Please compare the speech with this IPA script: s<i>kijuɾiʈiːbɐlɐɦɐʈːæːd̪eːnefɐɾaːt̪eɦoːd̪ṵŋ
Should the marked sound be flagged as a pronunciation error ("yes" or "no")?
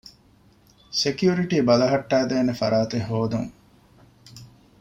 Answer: yes